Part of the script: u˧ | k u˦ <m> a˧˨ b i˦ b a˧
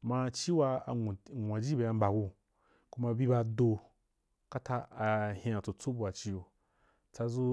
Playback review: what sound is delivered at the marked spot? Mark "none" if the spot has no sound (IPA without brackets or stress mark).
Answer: m